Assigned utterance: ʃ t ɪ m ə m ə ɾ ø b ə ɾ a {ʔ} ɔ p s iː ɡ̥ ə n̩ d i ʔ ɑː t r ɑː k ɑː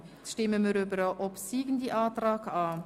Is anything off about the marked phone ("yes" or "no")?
no